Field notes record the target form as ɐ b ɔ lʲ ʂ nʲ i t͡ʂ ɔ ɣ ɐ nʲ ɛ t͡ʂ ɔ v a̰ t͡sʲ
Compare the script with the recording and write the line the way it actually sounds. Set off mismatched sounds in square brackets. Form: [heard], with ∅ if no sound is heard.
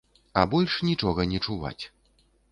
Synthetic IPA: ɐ b ɔ lʲ ʂ nʲ i t͡ʂ ɔ ɣ ɐ nʲ ɛ t͡ʂ [u] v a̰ t͡sʲ